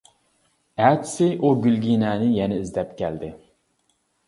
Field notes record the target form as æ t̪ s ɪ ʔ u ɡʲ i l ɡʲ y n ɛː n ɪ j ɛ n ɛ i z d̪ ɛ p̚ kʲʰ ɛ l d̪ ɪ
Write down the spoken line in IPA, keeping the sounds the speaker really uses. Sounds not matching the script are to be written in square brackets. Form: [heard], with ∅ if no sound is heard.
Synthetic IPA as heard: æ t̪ s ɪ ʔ u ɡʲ [y] l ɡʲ [i] n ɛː n ɪ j ɛ n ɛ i z d̪ ɛ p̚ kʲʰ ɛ l d̪ ɪ